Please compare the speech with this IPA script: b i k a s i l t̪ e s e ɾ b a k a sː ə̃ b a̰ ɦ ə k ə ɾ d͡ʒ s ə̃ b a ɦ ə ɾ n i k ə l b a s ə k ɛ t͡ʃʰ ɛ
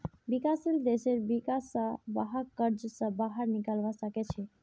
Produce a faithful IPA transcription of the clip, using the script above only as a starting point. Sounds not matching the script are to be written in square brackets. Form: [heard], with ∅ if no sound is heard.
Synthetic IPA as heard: b i k a s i l [d̪] e s e ɾ b [i] k a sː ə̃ b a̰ ɦ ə k ə ɾ d͡ʒ s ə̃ b a ɦ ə ɾ n i k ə l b a s ə k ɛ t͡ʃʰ ɛ